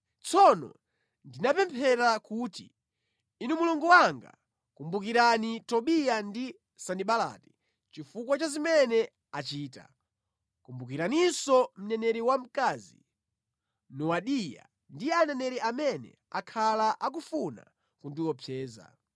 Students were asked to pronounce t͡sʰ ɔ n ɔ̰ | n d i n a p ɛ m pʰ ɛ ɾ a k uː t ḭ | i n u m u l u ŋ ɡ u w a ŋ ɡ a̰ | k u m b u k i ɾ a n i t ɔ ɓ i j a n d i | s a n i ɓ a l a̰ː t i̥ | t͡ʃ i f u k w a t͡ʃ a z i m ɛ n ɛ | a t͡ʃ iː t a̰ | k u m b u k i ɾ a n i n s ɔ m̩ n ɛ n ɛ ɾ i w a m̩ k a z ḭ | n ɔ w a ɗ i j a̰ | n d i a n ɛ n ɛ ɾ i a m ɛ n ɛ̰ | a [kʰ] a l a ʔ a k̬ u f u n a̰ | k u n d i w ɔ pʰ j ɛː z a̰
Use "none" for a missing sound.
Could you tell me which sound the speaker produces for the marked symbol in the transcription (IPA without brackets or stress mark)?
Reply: kʰ